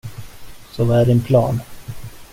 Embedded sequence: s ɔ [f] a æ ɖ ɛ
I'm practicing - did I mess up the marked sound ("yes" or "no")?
yes